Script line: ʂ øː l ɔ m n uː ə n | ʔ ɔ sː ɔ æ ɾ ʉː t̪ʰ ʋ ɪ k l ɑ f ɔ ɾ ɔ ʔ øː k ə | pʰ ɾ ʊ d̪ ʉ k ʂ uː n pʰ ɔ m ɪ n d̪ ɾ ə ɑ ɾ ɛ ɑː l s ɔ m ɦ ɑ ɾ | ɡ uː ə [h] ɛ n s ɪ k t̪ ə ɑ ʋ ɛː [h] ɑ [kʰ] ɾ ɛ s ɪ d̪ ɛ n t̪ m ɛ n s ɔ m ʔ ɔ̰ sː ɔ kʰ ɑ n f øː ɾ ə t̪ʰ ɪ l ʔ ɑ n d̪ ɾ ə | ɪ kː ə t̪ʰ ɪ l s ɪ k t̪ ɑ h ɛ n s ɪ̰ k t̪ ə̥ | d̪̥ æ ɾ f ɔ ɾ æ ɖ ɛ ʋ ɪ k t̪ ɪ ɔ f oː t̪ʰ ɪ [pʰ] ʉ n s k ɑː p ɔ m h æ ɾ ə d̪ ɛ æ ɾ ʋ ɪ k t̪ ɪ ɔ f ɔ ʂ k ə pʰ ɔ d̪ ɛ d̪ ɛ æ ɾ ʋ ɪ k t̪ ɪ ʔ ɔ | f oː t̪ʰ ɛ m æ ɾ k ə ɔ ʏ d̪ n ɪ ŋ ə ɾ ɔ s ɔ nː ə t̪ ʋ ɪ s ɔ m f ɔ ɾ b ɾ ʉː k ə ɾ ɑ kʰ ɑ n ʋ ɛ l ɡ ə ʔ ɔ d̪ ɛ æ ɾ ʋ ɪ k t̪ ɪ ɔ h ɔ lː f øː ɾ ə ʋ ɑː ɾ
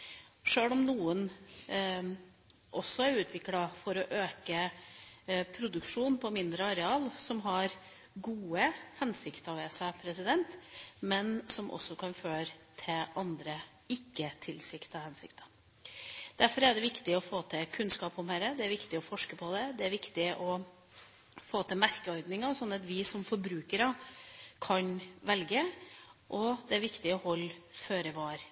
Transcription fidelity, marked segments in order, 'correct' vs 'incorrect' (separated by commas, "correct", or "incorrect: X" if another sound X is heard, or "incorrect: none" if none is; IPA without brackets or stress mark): correct, incorrect: s, incorrect: pʰ, incorrect: kʰ